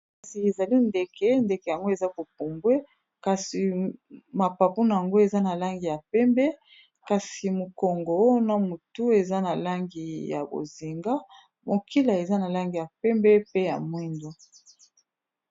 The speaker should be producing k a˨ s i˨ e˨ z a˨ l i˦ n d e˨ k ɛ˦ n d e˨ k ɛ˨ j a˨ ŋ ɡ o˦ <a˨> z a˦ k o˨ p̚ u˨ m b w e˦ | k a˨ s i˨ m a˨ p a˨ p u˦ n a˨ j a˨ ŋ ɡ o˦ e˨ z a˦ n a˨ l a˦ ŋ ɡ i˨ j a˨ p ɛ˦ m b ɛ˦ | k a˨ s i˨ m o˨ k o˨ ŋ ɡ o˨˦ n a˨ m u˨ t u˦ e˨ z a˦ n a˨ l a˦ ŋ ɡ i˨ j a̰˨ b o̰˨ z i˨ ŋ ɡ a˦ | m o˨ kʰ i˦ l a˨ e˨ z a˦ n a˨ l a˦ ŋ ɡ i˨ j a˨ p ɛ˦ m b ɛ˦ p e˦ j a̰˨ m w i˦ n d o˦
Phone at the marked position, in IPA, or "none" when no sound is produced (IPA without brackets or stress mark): e˨